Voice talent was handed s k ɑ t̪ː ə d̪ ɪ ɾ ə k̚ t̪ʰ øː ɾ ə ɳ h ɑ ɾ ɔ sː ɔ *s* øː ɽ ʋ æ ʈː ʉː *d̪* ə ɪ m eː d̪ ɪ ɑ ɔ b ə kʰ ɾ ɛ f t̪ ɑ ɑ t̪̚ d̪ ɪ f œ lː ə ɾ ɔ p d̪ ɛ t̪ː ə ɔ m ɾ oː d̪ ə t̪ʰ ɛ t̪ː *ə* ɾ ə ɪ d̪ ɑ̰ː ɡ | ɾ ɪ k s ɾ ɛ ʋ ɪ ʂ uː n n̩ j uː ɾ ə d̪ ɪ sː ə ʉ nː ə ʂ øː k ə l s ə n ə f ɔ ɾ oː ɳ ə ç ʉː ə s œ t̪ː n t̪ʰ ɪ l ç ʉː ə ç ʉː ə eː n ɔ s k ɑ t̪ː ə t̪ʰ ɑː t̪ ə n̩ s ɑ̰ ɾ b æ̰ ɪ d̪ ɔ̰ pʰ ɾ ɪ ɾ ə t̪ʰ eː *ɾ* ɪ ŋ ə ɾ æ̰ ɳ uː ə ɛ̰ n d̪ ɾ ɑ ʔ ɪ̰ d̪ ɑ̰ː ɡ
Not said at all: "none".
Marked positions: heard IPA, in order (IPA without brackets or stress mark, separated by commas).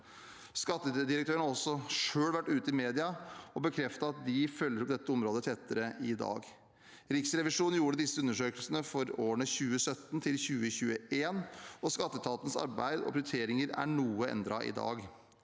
ʂ, t̪, ə, ɾ